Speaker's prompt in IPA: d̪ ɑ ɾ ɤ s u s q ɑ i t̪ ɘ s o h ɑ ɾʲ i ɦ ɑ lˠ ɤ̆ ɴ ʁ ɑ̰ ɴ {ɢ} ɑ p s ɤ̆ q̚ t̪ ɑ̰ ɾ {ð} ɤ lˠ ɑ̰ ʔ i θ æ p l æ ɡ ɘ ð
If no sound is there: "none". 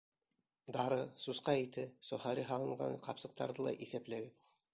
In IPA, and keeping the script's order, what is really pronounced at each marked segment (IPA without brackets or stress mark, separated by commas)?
q, ð